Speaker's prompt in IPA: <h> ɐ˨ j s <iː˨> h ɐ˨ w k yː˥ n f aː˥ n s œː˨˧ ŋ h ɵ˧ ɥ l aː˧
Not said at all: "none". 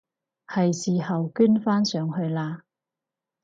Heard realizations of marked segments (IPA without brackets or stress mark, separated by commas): h, iː˨